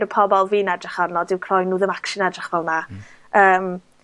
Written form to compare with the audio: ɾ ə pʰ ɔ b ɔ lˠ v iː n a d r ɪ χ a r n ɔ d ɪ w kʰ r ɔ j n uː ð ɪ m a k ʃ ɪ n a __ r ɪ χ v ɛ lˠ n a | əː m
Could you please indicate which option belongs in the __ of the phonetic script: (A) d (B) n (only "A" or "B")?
A